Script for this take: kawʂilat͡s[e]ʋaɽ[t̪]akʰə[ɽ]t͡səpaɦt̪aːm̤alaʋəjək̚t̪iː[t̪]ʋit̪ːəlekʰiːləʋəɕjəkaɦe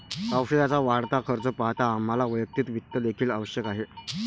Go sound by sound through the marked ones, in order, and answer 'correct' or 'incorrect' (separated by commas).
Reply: incorrect, correct, incorrect, correct